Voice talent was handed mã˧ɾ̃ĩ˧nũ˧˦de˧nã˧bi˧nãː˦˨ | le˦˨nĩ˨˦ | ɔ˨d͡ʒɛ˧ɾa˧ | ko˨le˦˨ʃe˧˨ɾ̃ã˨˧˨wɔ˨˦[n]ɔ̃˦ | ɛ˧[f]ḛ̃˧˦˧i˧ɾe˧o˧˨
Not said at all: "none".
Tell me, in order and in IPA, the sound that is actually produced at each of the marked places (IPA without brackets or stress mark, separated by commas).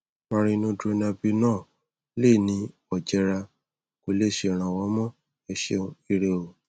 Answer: m, ʃ